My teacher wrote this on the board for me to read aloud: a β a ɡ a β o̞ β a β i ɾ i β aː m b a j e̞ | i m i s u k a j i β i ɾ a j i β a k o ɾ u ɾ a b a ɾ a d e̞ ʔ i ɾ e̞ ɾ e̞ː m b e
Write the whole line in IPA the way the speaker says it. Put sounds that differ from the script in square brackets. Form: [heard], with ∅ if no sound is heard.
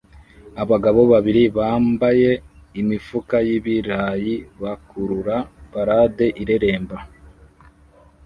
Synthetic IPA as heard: a β a ɡ a β o̞ β a β i ɾ i β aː m b a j e̞ | i m i [f] u k a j i β i ɾ a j i β a k [u] ɾ u ɾ a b a ɾ a d e̞ ʔ i ɾ e̞ ɾ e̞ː m b [a]